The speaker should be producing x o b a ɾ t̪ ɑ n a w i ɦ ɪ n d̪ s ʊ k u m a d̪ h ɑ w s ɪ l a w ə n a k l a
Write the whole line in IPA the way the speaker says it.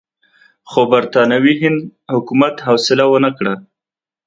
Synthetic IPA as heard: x o b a ɾ t̪ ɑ n a w i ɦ ɪ n d̪ h ʊ k u m a t̪ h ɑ w s ɪ l a w ə n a k ɽ a